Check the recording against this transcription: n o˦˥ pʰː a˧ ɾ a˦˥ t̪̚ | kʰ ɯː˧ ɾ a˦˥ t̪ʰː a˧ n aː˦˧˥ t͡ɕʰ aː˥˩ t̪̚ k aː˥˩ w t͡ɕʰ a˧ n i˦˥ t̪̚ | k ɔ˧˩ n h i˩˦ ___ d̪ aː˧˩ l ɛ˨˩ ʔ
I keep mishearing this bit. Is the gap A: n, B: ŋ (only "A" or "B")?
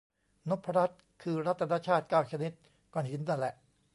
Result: A